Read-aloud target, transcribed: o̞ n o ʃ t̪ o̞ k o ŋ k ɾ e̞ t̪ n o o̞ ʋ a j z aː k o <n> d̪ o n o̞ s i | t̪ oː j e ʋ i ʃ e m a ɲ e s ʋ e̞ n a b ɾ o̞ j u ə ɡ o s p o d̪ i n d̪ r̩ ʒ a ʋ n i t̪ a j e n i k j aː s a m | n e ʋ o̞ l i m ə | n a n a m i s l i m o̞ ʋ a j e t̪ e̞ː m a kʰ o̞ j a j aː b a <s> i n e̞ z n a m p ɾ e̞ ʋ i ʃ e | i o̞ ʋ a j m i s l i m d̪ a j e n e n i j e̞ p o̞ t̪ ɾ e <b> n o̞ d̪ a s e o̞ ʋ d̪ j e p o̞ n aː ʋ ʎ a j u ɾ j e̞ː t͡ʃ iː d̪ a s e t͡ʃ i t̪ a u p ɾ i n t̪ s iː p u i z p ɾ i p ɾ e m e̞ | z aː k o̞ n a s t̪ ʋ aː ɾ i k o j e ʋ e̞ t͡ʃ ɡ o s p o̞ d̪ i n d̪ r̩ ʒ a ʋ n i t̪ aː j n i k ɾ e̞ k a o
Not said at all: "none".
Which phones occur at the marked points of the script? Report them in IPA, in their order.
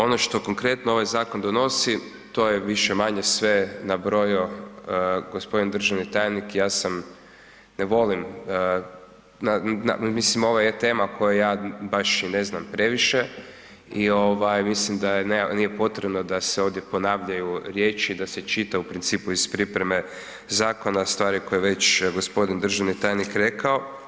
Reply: n, ʃ, b

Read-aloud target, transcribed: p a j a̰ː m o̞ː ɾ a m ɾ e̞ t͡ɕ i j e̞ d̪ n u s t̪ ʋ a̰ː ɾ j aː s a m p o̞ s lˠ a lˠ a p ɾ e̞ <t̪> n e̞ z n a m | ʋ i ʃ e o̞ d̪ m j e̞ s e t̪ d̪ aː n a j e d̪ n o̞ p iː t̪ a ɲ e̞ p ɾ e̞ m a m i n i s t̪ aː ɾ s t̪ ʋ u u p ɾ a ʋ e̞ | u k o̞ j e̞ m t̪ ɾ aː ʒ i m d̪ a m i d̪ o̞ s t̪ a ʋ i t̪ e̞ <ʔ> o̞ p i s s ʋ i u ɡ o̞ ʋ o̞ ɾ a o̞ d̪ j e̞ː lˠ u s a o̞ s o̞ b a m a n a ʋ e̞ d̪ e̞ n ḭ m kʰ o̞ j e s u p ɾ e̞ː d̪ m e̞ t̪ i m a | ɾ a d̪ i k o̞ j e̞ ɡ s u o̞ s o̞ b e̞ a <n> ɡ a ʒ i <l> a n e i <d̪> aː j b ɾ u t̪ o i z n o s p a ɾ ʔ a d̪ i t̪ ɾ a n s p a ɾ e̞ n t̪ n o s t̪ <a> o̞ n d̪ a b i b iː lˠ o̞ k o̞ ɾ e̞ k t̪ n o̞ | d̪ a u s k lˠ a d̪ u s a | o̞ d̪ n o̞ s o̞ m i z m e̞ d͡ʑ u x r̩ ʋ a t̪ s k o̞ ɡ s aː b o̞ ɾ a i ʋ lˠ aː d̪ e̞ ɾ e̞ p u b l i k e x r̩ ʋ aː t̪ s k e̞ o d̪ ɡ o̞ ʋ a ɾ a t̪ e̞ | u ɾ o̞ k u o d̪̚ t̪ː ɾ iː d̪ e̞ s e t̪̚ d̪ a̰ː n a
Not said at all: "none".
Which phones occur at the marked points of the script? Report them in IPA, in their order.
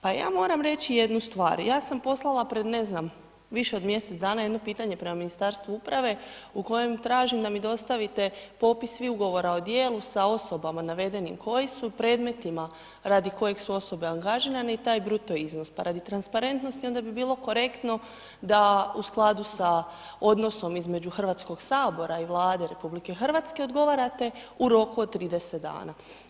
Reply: d̪, p, ŋ, ɾ, t̪, i

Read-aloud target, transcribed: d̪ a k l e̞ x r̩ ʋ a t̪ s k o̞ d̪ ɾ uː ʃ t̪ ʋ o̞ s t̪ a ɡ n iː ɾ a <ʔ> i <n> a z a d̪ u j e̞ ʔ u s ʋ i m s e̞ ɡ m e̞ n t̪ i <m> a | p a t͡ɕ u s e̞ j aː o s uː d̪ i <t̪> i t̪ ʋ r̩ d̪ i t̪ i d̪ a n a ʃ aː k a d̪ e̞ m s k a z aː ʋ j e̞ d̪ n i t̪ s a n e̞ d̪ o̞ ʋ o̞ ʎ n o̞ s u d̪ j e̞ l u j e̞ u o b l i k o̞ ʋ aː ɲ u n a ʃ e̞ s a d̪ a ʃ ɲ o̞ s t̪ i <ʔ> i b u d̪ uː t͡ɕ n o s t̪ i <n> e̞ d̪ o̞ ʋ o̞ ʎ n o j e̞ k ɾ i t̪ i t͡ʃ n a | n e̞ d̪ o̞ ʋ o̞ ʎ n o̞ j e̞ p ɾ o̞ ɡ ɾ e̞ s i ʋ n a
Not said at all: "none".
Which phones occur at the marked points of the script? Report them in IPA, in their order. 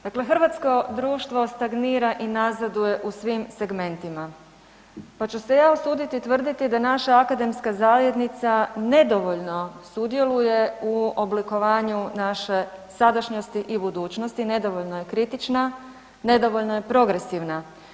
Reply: ʔ, n, m, t̪, ʔ, n

